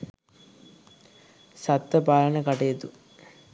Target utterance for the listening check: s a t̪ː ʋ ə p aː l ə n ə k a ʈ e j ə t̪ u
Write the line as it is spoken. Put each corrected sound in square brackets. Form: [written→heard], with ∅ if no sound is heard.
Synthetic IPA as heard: s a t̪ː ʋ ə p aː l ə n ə k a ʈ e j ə t̪ u